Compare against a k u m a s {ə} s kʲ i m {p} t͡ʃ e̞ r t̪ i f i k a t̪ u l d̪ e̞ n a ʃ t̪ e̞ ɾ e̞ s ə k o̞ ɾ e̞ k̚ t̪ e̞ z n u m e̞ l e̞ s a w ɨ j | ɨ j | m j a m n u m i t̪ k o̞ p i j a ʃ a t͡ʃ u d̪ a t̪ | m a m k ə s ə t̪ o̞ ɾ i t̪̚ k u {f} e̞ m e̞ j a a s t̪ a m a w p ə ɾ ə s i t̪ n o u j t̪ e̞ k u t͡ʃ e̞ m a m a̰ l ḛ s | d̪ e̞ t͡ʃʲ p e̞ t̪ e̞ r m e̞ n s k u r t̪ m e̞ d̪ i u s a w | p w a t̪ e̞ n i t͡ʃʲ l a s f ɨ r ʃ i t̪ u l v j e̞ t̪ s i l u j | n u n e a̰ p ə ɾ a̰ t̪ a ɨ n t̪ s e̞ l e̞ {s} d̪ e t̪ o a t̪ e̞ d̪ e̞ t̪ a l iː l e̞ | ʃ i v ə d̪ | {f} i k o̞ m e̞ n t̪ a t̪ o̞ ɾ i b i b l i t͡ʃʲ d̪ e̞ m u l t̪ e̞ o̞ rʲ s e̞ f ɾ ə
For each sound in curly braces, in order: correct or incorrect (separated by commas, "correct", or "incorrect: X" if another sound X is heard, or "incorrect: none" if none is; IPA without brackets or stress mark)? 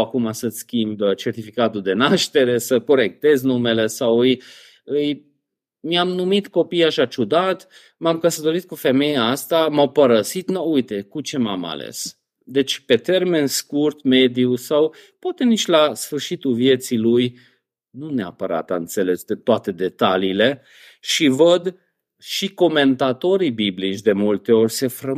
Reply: correct, incorrect: b, correct, correct, incorrect: ʃ